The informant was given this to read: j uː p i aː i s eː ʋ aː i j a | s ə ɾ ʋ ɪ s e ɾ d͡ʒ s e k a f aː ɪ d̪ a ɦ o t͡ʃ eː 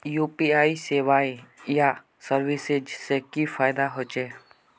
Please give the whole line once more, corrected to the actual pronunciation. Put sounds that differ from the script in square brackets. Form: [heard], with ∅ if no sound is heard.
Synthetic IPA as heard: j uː p i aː i s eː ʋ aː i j a | s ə ɾ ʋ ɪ s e [∅] d͡ʒ s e k [i] f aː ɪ d̪ a ɦ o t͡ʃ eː

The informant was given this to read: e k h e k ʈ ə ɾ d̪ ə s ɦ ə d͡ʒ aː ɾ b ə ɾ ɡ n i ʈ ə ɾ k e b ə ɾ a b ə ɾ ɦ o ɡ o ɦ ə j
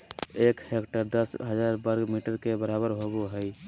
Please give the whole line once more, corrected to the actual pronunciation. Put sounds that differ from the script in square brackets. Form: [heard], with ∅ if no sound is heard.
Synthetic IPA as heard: e k h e k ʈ ə ɾ d̪ ə s ɦ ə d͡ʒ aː ɾ b ə ɾ ɡ [m] i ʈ ə ɾ k e b ə ɾ a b ə ɾ ɦ o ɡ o ɦ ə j

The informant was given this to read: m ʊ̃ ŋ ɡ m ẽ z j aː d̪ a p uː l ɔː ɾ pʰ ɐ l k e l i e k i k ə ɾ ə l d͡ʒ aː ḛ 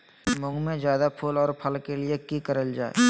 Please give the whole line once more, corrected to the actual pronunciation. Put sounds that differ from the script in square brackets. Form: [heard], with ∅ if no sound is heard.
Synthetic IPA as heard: m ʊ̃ ŋ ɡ m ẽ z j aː d̪ a [pʰ] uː l ɔː ɾ pʰ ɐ l k e l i e k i k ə ɾ ə l d͡ʒ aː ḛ

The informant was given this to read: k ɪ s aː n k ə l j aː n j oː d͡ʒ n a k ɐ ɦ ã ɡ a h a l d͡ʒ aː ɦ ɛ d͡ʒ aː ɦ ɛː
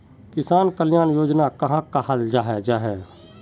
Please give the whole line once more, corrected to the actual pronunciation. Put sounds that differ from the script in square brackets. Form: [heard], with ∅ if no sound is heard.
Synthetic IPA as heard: k ɪ s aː n k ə l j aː n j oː d͡ʒ n a k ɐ ɦ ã [k] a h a l d͡ʒ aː ɦ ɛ d͡ʒ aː ɦ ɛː

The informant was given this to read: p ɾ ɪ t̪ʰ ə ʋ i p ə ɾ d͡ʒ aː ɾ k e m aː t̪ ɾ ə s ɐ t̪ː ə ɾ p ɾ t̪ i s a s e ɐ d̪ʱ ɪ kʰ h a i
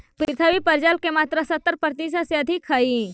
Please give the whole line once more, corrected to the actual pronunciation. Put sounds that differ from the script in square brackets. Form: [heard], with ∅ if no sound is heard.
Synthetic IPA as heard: p ɾ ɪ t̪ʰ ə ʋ i p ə ɾ d͡ʒ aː [l] k e m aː t̪ ɾ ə s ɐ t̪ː ə ɾ p ɾ t̪ i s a s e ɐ d̪ʱ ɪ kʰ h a i

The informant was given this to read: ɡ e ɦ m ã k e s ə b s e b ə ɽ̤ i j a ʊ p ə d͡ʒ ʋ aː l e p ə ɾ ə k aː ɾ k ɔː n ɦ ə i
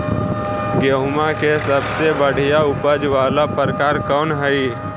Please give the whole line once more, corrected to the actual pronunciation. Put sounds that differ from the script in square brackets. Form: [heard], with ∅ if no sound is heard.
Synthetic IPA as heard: ɡ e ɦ m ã k e s ə b s e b ə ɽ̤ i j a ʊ p ə d͡ʒ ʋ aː l [a] p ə ɾ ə k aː ɾ k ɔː n ɦ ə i

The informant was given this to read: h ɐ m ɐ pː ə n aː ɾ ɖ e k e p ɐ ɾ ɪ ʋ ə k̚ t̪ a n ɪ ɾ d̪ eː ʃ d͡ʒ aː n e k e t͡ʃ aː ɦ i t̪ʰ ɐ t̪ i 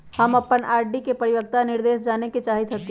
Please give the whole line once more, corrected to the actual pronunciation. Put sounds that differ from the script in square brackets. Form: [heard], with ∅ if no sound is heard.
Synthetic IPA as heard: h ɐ m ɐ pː ə n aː ɾ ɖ [i] k e p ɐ ɾ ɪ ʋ ə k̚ t̪ a n ɪ ɾ d̪ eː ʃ d͡ʒ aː n e k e t͡ʃ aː ɦ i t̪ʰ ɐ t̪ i

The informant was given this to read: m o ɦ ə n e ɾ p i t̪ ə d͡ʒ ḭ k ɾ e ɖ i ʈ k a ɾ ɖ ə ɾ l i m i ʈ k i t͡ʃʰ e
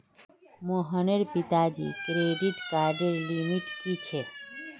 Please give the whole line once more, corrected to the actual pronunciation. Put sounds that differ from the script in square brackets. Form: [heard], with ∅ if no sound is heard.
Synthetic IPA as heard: m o ɦ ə n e ɾ p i t̪ [a] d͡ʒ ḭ k ɾ e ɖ i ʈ k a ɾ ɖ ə ɾ l i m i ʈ k i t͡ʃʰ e

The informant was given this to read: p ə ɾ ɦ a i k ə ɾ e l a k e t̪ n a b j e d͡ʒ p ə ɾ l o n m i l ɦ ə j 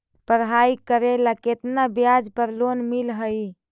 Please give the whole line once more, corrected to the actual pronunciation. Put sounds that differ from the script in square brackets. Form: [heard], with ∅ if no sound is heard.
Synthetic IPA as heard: p ə ɾ ɦ a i k ə ɾ e l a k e t̪ n a b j [a] d͡ʒ p ə ɾ l o n m i l ɦ ə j

